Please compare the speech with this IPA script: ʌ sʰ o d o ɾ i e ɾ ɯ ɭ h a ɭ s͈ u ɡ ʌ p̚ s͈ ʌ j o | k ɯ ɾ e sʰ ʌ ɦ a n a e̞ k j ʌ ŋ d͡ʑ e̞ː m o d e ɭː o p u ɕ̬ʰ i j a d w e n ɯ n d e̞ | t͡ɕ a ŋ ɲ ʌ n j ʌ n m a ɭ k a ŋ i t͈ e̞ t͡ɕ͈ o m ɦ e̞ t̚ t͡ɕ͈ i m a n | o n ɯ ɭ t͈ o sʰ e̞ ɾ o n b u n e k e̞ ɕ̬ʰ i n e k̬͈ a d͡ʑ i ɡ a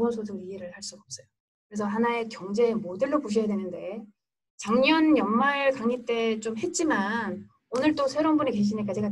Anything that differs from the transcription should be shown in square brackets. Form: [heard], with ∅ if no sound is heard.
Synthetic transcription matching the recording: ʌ sʰ o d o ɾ i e ɾ ɯ ɭ h a ɭ s͈ u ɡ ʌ p̚ s͈ ʌ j o | k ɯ ɾ e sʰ ʌ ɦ a n a e̞ k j ʌ ŋ d͡ʑ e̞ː m o d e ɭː o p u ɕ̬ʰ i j a d w e n ɯ n d e̞ | t͡ɕ a ŋ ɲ ʌ n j ʌ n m a ɭ k a ŋ i t͈ e̞ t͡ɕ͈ o m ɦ e̞ t̚ t͡ɕ͈ i m a n | o n ɯ ɭ t͈ o sʰ e̞ ɾ o n b u n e k e̞ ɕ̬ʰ i n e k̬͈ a d͡ʑ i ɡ a